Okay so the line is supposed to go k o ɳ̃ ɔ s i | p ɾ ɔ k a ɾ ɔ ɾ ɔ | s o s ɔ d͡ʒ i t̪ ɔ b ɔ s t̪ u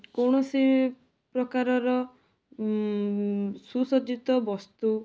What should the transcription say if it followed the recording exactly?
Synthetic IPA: k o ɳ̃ ɔ s i | p ɾ ɔ k a ɾ ɔ ɾ ɔ | s u s ɔ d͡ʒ i t̪ ɔ b ɔ s t̪ u